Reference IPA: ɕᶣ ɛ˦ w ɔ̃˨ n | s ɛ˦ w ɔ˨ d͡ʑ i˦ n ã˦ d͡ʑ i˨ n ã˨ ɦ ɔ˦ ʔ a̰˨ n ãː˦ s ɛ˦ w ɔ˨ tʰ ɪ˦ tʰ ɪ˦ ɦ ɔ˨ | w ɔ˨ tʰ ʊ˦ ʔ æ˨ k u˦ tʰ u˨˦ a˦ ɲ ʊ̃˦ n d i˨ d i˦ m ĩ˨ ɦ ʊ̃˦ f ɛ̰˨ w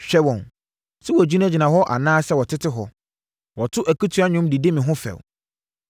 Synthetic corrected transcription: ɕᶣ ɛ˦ w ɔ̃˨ n | s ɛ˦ w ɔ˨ d͡ʑ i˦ n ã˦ d͡ʑ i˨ n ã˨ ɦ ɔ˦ ʔ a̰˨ n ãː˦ s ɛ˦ w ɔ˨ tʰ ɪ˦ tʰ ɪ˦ ɦ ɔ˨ | w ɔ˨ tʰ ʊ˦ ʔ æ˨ k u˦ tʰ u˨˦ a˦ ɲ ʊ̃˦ m d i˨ d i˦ m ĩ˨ ɦ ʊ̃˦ f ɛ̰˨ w